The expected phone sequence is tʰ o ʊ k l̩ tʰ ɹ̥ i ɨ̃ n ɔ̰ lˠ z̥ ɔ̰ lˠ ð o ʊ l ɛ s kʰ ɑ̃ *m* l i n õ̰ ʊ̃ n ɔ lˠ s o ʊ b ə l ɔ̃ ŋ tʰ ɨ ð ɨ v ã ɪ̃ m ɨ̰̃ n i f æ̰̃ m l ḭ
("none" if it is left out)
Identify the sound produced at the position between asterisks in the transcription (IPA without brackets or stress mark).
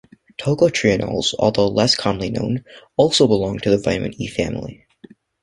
m